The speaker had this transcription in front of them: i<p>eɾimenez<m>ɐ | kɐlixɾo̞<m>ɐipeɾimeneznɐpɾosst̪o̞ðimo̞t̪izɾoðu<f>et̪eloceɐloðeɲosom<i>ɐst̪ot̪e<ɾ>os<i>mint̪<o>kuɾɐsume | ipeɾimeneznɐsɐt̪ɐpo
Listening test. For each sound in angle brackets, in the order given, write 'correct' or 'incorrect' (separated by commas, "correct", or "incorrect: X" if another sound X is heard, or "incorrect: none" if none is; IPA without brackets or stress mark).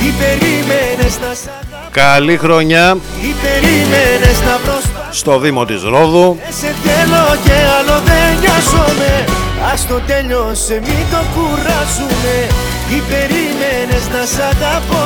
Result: correct, incorrect: n, incorrect: ɲ, incorrect: s, incorrect: e, incorrect: ʎ, incorrect: e, correct